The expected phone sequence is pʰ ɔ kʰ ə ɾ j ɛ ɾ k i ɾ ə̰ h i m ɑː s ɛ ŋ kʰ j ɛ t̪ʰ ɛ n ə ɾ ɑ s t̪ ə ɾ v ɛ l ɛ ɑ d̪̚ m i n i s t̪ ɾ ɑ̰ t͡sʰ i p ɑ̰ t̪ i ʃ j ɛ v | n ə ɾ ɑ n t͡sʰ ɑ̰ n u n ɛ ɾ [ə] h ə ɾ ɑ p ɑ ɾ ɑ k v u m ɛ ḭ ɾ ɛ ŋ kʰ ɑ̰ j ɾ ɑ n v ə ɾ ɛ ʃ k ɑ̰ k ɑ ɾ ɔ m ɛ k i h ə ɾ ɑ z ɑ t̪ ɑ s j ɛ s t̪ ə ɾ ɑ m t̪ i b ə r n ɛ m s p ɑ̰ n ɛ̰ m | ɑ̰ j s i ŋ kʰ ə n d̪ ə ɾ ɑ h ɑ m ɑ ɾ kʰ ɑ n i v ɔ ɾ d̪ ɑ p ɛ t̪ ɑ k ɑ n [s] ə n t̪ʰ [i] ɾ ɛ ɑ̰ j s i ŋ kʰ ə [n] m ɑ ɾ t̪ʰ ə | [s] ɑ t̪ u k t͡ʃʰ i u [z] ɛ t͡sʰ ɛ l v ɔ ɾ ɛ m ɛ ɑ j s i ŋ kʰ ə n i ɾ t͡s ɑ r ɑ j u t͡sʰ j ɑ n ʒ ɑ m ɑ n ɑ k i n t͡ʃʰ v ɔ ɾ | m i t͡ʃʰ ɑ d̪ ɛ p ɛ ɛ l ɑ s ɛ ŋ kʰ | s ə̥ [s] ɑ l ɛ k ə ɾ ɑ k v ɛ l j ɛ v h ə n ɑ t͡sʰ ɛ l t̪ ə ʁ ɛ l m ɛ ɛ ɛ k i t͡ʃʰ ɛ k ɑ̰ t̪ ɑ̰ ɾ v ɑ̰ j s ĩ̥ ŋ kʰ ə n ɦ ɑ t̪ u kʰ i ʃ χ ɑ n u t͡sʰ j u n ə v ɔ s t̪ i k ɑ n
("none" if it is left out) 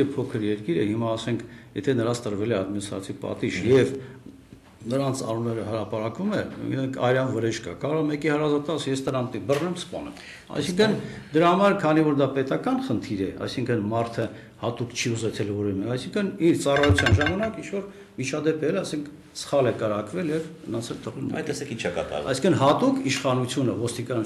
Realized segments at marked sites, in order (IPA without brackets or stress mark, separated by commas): ə, χ, i, n, h, z, χ